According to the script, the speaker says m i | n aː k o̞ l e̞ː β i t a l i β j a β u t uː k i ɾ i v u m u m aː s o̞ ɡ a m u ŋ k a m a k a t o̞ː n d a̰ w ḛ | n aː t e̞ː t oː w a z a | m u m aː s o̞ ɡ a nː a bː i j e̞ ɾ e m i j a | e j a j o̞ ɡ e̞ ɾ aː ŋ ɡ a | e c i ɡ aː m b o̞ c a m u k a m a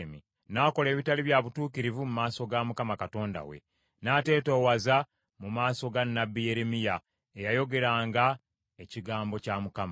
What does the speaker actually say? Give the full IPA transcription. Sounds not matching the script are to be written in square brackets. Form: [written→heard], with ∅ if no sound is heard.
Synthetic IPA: m i | n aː k o̞ l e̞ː β i t a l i β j a β u t uː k i ɾ i v u m u m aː s o̞ ɡ a m u [ŋ→∅] k a m a k a t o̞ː n d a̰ w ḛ | n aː t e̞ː t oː w a z a | m u m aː s o̞ ɡ a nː a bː i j e̞ ɾ e m i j a | e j a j o̞ ɡ e̞ ɾ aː ŋ ɡ a | e c i ɡ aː m b o̞ c a m u k a m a